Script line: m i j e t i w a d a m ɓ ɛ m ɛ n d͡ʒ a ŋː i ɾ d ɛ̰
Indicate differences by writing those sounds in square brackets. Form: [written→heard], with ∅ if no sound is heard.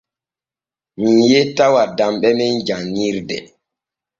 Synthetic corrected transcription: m i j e t [i→a] w a d a m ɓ ɛ m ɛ n d͡ʒ a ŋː i ɾ d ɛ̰

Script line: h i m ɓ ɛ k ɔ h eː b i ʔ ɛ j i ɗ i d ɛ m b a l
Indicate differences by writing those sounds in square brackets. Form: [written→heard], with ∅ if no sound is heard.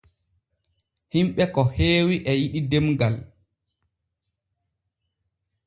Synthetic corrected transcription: h i m ɓ ɛ k ɔ h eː [b→w] i ʔ ɛ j i ɗ i d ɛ m [b→ɡ] a l

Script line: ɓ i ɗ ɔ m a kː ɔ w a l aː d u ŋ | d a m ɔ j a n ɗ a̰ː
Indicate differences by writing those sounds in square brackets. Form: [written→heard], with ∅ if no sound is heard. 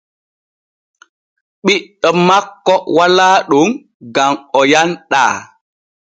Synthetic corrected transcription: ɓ i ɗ ɔ m a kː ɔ w a l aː [d→ɗ] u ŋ | [d→ɡ] a m ɔ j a n ɗ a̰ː

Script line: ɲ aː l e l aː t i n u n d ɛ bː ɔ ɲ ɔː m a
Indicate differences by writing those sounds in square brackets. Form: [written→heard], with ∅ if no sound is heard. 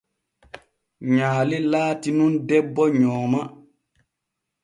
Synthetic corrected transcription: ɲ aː l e l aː t i n u n d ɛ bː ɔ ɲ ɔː m a

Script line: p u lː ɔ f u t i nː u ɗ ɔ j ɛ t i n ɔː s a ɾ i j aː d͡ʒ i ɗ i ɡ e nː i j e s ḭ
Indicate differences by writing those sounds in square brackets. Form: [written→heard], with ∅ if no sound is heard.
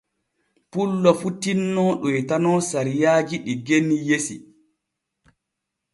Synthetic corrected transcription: p u lː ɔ f u t i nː [u→ɔ] ɗ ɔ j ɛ t [i→a] n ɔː s a ɾ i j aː d͡ʒ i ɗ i ɡ e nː i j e s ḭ

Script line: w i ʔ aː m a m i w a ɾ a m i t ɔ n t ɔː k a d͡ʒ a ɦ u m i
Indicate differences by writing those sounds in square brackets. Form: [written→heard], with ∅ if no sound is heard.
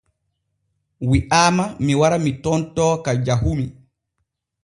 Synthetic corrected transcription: w i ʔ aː m a m i w a ɾ a m i t ɔ n t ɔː k a d͡ʒ a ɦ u m i

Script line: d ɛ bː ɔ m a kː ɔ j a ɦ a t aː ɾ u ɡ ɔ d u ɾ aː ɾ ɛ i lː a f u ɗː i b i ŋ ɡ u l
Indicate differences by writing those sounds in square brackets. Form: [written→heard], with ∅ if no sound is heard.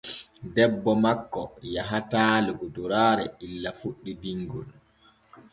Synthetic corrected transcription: d ɛ bː ɔ m a kː ɔ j a ɦ a t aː [ɾ→l] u ɡ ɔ d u ɾ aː ɾ ɛ i lː a f u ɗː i b i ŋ ɡ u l

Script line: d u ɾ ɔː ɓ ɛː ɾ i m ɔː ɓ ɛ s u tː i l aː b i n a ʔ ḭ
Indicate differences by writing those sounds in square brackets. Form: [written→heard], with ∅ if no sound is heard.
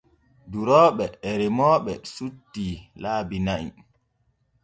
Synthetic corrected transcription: d u ɾ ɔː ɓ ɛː ɾ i m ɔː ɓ ɛ s u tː i l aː b i n a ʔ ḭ

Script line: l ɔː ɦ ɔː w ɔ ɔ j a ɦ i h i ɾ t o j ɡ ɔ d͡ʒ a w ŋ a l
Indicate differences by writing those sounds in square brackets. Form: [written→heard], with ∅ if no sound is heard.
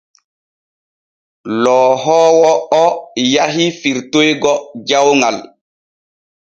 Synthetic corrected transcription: l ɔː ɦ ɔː w ɔ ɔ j a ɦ i [h→f] i ɾ t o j ɡ ɔ d͡ʒ a w ŋ a l

